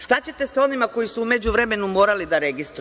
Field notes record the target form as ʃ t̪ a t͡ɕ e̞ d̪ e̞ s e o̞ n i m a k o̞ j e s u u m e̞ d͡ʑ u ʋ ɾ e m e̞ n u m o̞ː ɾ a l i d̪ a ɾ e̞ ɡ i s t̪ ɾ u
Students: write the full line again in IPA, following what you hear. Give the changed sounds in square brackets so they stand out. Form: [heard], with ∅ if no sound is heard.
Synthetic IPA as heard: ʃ t̪ a t͡ɕ e̞ [t̪] e̞ s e o̞ n i m a k o̞ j [i] s u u m e̞ d͡ʑ u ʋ ɾ e m e̞ n u m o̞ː ɾ a l i d̪ a ɾ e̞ ɡ i s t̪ ɾ u